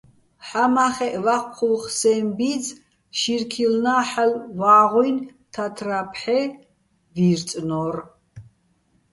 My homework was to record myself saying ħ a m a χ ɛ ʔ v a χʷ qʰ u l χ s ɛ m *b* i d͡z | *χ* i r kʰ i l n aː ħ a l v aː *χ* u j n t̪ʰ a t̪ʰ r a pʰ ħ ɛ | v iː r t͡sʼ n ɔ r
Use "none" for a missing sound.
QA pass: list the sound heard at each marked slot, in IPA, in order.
b, ʃ, ʁ

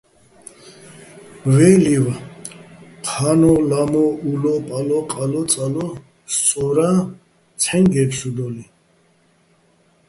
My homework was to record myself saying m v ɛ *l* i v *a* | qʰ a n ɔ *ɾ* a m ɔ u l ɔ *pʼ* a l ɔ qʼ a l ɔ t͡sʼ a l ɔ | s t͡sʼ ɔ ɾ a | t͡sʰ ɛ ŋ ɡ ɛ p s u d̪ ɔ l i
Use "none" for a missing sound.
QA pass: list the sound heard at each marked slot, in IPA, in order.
l, a, l, pʼ

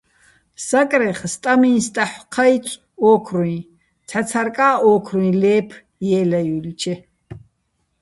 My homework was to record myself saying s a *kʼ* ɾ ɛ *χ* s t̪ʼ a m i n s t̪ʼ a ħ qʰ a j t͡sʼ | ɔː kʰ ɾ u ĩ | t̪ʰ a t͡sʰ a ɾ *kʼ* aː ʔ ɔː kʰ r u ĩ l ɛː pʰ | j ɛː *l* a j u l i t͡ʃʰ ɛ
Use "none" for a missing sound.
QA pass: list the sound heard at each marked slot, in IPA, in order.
kʼ, χ, kʼ, l

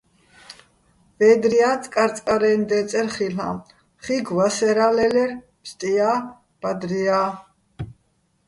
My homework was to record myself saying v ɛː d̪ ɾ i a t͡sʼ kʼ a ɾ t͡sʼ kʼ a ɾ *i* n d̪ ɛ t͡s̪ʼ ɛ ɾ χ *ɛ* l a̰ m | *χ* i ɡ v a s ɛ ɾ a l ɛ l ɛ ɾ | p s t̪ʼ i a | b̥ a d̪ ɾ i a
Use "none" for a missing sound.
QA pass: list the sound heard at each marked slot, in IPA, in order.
ɛ, i, χ

